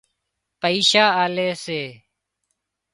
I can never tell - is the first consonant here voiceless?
yes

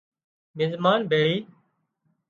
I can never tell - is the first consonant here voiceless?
no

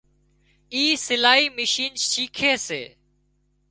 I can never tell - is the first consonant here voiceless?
yes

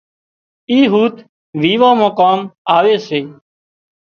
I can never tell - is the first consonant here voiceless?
no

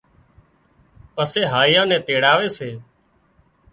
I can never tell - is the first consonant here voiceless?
yes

